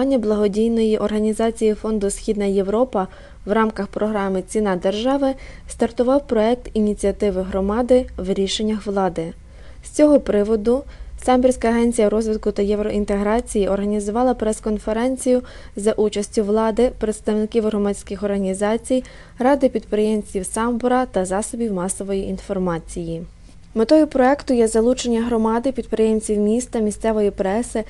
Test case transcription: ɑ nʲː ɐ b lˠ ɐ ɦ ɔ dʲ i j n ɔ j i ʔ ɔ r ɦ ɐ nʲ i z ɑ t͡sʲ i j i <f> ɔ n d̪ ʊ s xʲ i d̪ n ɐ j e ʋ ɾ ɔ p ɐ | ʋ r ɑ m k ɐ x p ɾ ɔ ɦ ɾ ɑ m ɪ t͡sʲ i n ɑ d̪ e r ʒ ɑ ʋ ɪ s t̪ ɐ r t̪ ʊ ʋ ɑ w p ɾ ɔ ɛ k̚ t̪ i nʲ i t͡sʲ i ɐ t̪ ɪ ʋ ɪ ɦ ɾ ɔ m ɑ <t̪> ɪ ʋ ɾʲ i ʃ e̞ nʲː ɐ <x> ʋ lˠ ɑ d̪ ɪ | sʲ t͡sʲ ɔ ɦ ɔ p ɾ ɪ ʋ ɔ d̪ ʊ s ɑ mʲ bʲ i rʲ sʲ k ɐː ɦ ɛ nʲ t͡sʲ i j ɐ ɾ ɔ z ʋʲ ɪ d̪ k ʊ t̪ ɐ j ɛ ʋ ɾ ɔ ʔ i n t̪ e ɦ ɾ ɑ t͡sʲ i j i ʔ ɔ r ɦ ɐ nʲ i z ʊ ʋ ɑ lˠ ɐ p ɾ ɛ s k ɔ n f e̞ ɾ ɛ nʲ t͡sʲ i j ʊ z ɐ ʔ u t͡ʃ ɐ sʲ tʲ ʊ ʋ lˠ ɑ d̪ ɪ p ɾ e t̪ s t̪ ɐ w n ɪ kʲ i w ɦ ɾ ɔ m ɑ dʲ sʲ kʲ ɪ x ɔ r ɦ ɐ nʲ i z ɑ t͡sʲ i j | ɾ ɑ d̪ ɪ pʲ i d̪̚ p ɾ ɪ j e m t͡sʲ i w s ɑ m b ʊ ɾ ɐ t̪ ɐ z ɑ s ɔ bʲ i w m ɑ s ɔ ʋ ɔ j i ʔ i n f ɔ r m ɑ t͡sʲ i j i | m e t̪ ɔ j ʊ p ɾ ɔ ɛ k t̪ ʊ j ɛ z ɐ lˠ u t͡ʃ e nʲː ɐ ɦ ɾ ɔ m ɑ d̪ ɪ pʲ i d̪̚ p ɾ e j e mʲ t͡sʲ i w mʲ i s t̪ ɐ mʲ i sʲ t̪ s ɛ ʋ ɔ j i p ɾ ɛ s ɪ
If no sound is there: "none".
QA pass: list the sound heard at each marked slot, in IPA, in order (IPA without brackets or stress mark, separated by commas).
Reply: f, d̪, x